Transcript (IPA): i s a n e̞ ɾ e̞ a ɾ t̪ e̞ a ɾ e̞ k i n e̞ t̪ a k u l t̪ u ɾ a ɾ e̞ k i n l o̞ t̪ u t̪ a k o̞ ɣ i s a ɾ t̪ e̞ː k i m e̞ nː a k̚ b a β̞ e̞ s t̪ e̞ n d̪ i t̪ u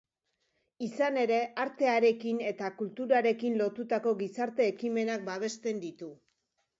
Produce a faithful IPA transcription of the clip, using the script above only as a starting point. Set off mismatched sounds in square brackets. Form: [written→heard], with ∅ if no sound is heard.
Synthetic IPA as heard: i s a n e̞ ɾ e̞ a ɾ t̪ e̞ a ɾ e̞ k i n e̞ t̪ a k u l t̪ u ɾ a ɾ e̞ k i n l o̞ t̪ u t̪ a k o̞ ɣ i s a ɾ t̪ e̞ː k i m e̞ [nː→n] a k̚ b a β̞ e̞ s t̪ e̞ n d̪ i t̪ u